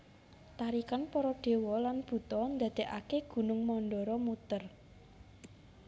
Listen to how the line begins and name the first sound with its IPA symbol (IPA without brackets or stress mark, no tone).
t̪